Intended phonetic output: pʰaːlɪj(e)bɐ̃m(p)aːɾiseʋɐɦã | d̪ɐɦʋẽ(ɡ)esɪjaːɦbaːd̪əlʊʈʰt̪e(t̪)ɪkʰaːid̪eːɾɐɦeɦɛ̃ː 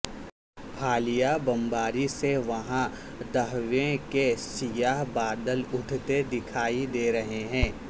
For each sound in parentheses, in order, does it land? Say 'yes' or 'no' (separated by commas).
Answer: no, no, no, no